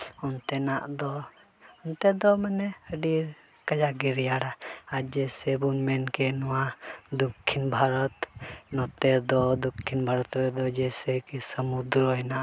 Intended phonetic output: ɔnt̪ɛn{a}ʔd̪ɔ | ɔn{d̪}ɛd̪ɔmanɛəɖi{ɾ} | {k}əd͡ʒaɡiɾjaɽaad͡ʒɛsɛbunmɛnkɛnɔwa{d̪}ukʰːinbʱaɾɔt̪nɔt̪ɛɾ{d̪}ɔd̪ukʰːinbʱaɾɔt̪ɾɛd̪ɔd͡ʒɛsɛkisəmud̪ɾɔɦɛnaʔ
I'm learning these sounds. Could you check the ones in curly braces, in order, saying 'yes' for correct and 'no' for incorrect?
yes, no, yes, yes, yes, yes

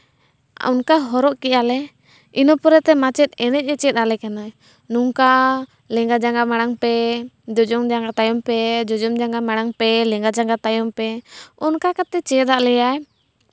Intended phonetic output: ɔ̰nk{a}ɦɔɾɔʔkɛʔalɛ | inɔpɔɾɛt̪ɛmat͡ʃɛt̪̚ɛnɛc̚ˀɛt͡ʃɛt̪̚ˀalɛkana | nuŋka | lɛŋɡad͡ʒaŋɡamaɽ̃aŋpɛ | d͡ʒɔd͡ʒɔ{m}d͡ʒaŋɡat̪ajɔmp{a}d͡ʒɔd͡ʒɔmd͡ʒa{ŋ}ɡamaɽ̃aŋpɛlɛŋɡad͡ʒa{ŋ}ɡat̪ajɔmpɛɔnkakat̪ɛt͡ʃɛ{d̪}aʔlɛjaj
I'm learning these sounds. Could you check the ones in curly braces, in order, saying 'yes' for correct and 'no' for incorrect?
yes, no, no, yes, yes, yes

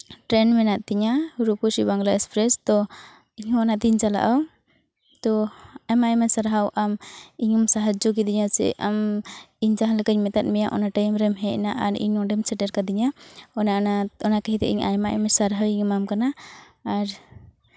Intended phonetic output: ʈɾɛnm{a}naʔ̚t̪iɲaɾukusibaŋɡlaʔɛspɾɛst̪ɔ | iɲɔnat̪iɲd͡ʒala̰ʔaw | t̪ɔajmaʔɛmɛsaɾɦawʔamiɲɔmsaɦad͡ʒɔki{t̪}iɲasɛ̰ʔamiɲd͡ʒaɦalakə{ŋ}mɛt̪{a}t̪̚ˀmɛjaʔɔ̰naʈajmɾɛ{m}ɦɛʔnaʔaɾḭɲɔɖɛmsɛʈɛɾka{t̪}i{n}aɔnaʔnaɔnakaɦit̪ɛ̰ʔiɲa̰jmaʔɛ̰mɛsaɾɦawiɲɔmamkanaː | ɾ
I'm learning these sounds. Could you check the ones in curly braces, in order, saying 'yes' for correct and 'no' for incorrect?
no, no, no, yes, yes, no, no

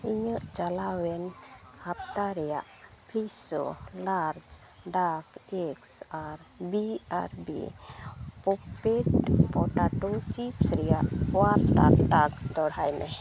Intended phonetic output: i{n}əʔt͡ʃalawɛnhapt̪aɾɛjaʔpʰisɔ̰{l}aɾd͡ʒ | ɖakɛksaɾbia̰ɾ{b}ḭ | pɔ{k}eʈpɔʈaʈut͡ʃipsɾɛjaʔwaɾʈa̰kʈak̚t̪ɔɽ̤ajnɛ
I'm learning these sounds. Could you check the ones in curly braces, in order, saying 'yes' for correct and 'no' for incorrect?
no, yes, yes, no

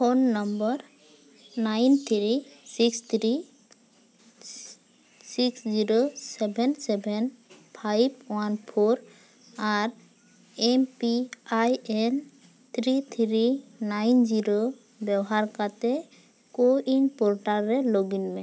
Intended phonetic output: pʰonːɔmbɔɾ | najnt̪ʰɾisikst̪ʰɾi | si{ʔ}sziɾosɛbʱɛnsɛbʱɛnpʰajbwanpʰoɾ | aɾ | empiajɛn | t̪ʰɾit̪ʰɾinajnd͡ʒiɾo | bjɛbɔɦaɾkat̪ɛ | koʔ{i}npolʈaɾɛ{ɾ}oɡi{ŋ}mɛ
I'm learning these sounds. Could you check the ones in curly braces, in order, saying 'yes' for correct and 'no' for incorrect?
no, yes, no, no

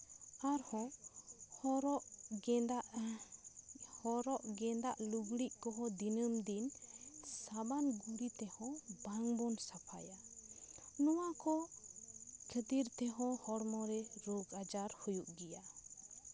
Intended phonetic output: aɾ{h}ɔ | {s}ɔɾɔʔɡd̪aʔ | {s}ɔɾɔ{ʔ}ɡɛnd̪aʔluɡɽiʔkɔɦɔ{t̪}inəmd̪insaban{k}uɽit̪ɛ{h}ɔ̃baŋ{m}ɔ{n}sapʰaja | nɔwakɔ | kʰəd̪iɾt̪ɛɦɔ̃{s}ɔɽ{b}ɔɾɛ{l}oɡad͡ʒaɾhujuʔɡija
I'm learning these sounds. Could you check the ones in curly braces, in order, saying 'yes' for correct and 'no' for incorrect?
yes, no, no, yes, no, no, yes, no, yes, no, no, no

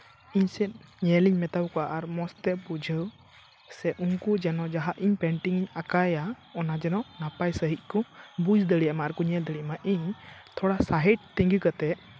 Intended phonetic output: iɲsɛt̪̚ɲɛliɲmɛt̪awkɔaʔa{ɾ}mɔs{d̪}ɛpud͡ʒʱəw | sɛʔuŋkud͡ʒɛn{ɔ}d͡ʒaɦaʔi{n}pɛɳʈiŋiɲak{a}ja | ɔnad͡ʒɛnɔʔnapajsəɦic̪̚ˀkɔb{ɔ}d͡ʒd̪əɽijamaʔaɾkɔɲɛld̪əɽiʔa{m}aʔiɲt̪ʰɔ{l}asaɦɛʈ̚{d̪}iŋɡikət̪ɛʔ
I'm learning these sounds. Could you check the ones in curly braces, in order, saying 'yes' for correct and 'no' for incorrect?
yes, no, yes, no, yes, no, yes, no, no

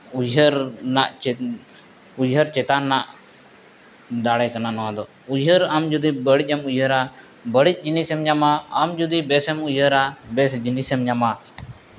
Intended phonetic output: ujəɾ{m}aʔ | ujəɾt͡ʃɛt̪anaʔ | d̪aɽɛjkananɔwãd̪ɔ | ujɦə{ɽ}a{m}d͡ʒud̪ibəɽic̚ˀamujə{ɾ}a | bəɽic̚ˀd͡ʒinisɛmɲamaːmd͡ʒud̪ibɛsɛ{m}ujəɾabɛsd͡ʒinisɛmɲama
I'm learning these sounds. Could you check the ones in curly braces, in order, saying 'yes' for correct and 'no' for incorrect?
no, no, yes, yes, yes

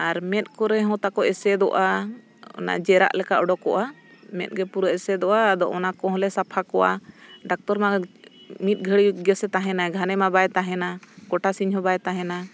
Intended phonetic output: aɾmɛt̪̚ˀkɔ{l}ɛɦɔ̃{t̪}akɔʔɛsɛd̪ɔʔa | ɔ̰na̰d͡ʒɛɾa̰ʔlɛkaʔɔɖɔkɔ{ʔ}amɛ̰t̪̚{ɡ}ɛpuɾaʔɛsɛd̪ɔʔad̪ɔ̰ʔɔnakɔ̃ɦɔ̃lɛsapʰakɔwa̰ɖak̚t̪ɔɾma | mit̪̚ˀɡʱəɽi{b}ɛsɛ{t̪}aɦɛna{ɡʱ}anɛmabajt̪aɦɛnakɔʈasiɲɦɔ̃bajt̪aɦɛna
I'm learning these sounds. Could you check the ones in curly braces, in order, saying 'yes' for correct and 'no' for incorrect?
no, yes, yes, yes, no, yes, yes

